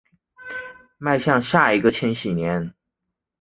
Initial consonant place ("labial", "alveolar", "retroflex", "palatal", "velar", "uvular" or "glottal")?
labial